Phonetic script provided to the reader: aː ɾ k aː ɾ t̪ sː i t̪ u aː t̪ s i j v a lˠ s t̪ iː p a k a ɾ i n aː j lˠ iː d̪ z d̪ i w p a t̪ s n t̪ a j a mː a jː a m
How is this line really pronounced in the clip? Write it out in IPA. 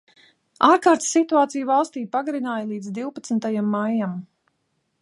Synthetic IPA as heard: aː ɾ k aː ɾ t̪ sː i t̪ u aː t̪ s i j v a lˠ s t̪ iː p a ɡ a ɾ i n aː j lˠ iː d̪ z d̪ i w p a t̪ s n t̪ a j a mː a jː a m